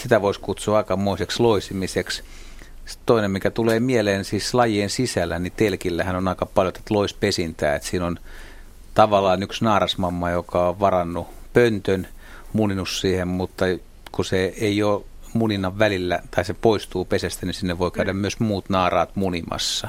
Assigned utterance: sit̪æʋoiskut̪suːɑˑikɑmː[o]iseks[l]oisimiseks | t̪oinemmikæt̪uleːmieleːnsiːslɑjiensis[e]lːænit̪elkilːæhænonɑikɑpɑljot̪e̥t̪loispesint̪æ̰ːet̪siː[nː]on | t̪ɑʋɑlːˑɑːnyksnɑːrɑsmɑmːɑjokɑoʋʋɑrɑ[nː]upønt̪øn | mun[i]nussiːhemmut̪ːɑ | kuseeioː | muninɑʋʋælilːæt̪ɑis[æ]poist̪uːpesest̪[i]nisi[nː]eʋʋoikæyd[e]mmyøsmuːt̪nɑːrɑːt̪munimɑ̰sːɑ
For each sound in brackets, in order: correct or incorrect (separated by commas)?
correct, correct, incorrect, incorrect, correct, correct, incorrect, incorrect, correct, incorrect